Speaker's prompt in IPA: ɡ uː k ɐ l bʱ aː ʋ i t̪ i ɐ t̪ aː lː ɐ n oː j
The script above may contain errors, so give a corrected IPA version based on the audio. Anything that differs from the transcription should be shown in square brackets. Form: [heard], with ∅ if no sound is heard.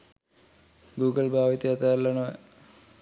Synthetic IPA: ɡ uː [ɡ] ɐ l bʱ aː ʋ i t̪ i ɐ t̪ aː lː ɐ n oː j